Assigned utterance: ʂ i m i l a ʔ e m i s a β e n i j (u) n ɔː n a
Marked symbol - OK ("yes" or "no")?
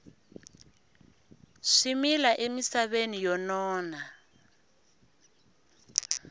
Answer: no